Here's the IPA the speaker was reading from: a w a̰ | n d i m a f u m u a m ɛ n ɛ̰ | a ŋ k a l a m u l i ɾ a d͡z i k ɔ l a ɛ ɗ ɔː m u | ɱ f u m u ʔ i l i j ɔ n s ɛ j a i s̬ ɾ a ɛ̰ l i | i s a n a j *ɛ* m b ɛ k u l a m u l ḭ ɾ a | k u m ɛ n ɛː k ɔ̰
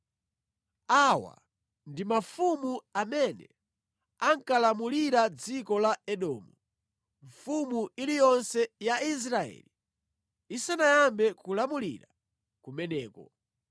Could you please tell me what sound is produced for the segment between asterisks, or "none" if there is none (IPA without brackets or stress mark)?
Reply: a